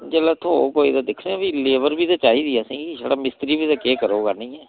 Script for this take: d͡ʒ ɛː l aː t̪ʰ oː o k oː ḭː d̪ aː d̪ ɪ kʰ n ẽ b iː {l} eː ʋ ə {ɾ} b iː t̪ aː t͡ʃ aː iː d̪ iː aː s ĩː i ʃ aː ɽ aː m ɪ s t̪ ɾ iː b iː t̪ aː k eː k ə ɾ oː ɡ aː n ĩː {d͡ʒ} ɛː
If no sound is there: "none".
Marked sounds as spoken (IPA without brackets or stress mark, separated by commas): l, ɾ, none